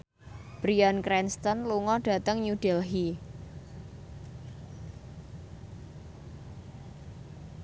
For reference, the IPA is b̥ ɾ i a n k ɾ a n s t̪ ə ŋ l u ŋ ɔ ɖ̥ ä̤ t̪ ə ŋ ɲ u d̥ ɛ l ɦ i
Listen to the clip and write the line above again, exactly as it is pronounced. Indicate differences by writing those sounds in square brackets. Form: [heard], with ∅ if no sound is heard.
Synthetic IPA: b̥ ɾ i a n k ɾ [ɛ] n s t̪ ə [n] l u ŋ ɔ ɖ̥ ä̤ t̪ ə ŋ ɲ u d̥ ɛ l ɦ i